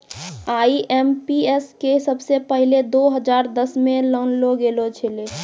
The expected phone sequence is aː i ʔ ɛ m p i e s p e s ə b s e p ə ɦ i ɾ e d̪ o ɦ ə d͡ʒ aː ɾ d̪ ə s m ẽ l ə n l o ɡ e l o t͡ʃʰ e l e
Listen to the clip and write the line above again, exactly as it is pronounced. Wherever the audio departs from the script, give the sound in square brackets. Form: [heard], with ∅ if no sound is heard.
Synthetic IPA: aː i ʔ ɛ m p i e s [k] e s ə b s e p ə ɦ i [l] e d̪ o ɦ ə d͡ʒ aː ɾ d̪ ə s m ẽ l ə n l o ɡ e l o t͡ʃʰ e l e

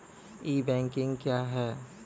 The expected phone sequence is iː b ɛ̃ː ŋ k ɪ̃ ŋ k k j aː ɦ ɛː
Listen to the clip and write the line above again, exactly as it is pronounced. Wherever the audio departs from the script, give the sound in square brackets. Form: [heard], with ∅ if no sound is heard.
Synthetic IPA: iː b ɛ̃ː ŋ k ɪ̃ ŋ [ɡ] k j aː ɦ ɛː

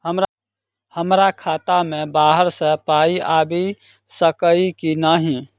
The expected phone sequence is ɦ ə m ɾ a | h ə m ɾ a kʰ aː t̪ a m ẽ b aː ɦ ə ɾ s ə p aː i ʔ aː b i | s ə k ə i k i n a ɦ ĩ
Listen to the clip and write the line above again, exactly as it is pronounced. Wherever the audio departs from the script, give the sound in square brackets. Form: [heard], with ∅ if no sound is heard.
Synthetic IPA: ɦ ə m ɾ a | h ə m ɾ a kʰ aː t̪ a m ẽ b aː ɦ ə ɾ s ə p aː i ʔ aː b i | s ə k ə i k i n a ɦ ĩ

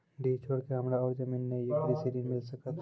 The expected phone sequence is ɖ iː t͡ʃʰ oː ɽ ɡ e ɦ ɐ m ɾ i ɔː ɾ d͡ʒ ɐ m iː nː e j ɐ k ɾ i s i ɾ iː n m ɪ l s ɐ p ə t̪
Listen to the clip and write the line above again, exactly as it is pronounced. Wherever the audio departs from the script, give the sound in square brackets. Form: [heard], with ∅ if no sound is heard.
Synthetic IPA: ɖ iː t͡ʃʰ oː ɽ [k] e ɦ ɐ m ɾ [a] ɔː ɾ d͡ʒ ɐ m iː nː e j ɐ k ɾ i s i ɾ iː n m ɪ l s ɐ [k] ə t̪

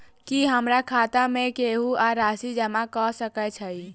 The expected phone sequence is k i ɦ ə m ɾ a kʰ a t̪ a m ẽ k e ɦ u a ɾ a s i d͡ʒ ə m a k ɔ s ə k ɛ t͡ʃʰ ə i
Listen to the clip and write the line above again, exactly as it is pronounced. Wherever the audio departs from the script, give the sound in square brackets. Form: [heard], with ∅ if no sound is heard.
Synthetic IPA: k i ɦ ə m ɾ a kʰ a t̪ a m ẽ k e ɦ u a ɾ a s i d͡ʒ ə m a k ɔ s ə k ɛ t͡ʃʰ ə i

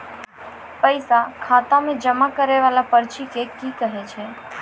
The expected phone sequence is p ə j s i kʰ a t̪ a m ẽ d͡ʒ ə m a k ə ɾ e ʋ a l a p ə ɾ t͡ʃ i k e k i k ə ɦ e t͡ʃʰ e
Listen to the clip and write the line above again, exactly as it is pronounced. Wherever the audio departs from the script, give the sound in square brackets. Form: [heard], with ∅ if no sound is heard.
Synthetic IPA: p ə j s [a] kʰ a t̪ a m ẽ d͡ʒ ə m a k ə ɾ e ʋ a l a p ə ɾ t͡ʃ i k e k i k ə ɦ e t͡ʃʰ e

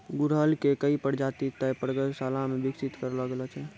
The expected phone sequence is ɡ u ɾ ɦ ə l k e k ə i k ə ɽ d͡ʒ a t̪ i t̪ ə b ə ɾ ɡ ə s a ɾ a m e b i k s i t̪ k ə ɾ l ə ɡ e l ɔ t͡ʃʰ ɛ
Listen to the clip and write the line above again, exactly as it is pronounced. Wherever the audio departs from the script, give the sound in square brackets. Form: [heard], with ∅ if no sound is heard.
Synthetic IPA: ɡ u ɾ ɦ ə l k e k ə i [p] ə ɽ d͡ʒ a t̪ i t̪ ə [p] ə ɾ ɡ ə s a [l] a m e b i k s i t̪ k ə ɾ l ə ɡ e l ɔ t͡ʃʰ ɛ

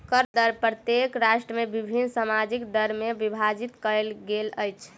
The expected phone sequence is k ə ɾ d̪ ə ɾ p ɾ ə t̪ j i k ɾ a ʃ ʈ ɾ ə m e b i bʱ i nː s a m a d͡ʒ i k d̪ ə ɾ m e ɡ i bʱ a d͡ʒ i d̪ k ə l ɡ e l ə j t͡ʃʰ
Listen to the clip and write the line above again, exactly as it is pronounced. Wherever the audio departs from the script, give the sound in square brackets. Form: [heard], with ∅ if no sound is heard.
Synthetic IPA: k ə ɾ d̪ ə ɾ p ɾ ə t̪ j [e] k ɾ a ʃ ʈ ɾ ə m e b i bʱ i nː s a m a d͡ʒ i k d̪ ə ɾ m e [b] i bʱ a d͡ʒ i [t̪] k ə l ɡ e l ə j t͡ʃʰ

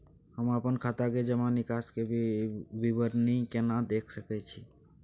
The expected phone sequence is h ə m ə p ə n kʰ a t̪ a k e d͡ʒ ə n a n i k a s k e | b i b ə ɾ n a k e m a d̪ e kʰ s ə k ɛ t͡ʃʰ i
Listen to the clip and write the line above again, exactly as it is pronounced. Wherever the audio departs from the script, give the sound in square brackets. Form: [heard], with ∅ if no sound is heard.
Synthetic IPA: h ə m ə p ə n kʰ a t̪ a k e d͡ʒ ə [m] a n i k a s k e | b i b ə ɾ n [i] k e [n] a d̪ e kʰ s ə k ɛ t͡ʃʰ i

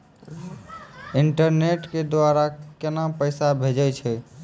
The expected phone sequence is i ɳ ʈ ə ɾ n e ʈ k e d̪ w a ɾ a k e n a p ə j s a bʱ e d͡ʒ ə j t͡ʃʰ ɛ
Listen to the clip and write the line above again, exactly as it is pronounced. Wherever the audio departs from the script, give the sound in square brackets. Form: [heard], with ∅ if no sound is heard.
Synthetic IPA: i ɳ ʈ ə ɾ n e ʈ k e d̪ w a ɾ a k e n a p ə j s a bʱ e d͡ʒ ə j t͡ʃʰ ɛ

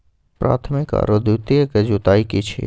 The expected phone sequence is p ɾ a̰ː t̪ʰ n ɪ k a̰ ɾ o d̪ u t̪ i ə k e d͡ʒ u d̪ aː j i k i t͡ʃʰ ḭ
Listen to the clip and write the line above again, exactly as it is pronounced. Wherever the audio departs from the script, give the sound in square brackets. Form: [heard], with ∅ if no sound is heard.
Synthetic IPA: p ɾ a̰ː t̪ʰ [m] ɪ k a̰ ɾ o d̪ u t̪ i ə k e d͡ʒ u [t̪] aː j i k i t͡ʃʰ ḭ

